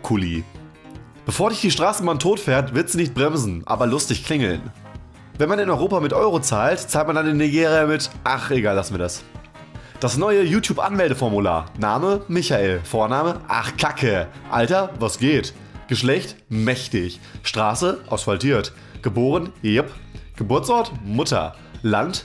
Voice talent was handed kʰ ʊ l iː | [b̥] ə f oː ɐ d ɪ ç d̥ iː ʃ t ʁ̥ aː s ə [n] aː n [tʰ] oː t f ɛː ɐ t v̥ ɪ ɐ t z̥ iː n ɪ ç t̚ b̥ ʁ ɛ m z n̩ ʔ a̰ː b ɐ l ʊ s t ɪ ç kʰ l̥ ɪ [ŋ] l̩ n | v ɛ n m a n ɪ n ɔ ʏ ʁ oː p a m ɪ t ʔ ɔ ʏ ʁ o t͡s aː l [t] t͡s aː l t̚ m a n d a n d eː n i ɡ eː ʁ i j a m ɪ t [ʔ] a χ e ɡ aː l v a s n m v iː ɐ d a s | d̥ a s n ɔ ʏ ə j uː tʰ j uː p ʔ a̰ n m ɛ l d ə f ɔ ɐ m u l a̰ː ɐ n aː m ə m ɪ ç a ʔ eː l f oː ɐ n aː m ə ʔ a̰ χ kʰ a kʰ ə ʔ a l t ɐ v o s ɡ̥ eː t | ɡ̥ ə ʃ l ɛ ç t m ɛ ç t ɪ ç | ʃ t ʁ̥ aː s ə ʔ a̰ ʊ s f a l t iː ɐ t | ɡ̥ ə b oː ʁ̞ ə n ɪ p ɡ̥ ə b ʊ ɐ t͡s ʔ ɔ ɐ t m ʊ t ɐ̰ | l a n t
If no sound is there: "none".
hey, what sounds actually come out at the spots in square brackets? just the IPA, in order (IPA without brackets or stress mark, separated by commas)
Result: b̥, m, tʰ, ŋ, t, ʔ